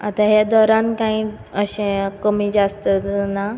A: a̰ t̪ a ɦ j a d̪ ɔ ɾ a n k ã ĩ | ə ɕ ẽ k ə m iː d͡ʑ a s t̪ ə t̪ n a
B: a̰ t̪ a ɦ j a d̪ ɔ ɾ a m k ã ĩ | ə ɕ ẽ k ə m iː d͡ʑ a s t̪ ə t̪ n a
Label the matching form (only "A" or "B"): A